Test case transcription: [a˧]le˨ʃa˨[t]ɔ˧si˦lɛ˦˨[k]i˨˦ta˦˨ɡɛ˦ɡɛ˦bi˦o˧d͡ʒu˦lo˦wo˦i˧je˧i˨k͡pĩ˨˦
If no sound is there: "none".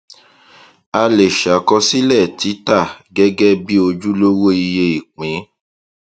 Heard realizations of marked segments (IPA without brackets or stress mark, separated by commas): a˧, k, t